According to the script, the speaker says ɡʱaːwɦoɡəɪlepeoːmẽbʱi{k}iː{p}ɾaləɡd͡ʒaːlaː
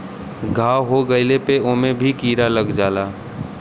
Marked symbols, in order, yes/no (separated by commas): yes, no